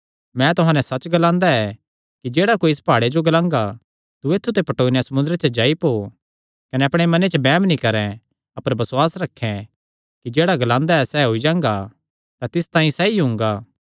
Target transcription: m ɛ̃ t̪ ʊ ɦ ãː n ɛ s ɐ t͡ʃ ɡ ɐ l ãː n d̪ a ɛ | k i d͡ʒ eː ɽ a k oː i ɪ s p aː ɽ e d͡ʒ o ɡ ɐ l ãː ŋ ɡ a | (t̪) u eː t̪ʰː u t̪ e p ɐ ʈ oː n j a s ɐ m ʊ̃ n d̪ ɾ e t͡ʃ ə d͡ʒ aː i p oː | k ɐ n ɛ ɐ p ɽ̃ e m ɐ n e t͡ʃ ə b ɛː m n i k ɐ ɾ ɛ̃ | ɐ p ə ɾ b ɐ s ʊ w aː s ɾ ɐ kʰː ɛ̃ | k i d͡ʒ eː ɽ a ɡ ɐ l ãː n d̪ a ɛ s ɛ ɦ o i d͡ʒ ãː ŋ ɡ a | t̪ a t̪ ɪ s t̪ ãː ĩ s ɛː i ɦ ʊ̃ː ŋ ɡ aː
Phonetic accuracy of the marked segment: correct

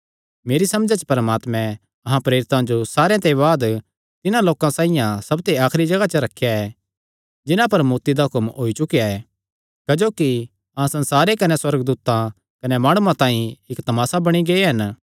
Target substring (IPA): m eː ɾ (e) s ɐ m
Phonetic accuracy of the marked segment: incorrect: i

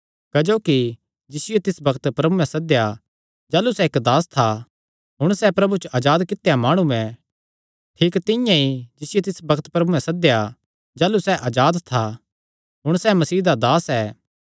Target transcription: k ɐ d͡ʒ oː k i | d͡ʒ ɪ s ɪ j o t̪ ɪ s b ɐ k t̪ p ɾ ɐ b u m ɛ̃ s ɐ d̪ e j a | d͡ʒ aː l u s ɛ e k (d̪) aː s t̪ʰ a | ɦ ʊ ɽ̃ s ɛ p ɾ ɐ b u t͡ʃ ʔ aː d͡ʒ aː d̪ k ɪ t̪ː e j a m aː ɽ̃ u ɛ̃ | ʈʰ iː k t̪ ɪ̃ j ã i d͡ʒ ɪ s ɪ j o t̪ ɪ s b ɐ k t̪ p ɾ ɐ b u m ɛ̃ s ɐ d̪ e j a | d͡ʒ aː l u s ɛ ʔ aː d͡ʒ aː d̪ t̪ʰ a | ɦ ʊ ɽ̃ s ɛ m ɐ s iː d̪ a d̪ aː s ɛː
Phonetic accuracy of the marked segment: correct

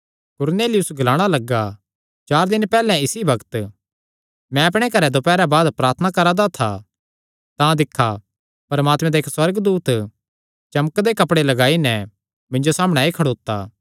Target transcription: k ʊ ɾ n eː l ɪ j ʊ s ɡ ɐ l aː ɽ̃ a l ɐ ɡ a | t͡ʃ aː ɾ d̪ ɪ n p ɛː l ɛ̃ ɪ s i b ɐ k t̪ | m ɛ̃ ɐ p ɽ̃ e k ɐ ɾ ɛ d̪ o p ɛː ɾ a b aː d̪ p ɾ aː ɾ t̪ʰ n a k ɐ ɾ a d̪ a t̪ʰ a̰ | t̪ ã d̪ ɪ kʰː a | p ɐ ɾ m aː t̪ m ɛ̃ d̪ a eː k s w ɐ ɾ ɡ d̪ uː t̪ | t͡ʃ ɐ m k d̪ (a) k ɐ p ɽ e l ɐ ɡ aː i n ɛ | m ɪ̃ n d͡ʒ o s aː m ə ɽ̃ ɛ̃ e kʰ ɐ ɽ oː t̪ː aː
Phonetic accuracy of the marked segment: incorrect: e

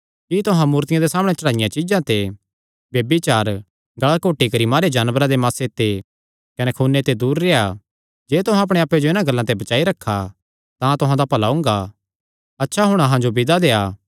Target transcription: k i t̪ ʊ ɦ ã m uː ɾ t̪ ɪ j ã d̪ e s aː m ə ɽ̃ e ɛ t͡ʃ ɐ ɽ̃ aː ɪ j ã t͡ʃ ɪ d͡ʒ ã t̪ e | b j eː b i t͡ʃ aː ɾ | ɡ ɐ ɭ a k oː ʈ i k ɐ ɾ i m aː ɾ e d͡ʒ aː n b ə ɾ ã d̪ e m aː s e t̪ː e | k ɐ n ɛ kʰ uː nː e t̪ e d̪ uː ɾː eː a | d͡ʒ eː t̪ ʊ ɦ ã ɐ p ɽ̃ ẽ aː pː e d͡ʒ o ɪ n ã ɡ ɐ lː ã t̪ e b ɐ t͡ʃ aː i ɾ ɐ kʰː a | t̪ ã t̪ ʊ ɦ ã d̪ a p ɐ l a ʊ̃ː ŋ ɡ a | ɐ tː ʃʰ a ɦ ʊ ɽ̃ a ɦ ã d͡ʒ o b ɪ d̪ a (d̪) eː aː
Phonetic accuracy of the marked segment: correct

